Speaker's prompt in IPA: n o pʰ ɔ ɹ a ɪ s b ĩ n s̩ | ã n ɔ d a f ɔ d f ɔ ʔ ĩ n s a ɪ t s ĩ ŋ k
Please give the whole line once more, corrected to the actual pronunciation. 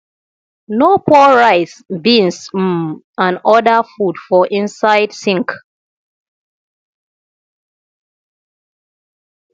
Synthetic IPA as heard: n o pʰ ɔ ɹ a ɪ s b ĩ n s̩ | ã n ɔ d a f u d f ɔ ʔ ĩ n s a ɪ d s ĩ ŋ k